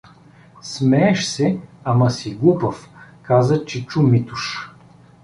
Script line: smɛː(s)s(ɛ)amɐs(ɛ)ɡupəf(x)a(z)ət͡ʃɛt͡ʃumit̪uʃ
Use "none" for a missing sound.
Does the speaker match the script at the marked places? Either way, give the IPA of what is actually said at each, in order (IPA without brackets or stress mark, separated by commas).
ʃ, ɛ, i, k, z